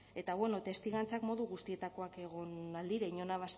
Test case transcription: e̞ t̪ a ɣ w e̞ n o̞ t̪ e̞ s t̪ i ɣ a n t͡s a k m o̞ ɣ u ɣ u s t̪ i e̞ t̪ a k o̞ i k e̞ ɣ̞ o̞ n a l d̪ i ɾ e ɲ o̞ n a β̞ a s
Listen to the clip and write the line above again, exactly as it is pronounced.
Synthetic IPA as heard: e̞ t̪ a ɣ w e̞ n o̞ t̪ e̞ s t̪ i ɣ a n t͡s a k m o̞ ð u ɣ u s t̪ i e̞ t̪ a k o̞ a k e̞ ɣ̞ o̞ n a l d̪ i ɾ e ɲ o̞ n a β̞ a s